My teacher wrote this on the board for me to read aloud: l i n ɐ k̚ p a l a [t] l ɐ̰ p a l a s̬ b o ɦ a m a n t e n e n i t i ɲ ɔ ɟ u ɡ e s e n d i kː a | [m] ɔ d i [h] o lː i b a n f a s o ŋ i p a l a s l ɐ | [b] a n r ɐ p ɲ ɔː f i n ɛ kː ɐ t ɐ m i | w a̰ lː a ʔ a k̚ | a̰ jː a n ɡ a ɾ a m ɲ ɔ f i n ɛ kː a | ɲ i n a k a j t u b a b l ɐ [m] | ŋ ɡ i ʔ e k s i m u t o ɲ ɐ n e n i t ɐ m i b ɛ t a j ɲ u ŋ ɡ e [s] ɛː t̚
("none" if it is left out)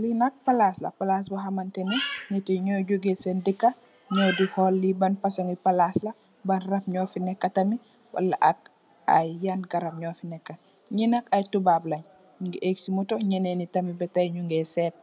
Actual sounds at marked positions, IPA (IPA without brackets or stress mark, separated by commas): s, ɲ, h, b, ɲ, s